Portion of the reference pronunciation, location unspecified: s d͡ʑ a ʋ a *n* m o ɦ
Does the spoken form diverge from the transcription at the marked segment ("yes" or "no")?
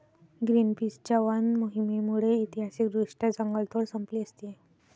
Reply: no